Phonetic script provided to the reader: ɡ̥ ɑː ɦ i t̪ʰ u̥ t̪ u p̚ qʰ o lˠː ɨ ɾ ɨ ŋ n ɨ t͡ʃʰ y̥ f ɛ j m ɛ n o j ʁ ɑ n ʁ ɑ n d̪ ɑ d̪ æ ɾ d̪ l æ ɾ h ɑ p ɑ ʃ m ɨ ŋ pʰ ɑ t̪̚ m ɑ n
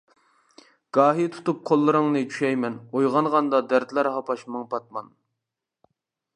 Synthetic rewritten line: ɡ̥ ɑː ɦ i t̪ʰ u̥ t̪ u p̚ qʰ o lˠː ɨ ɾ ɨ ŋ n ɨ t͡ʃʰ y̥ ʃ ɛ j m ɛ n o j ʁ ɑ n ʁ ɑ n d̪ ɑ d̪ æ ɾ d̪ l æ ɾ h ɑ p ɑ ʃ m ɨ ŋ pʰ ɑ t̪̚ m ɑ n